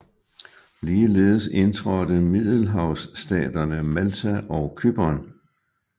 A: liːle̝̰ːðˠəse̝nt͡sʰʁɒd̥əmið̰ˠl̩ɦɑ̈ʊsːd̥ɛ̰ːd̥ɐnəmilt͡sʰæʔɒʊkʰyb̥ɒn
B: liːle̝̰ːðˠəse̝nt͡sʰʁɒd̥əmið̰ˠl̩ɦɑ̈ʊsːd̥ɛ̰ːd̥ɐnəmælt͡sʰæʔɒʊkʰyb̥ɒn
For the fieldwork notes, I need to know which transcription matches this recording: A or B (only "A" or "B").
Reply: B